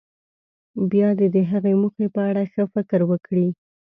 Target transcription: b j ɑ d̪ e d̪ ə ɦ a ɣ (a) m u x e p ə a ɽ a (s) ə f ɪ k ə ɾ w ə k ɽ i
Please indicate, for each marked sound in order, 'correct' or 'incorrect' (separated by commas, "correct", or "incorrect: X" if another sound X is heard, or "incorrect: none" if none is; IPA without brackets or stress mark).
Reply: incorrect: e, incorrect: x